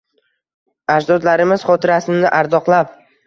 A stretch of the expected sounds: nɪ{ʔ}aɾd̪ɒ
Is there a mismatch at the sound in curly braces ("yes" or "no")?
no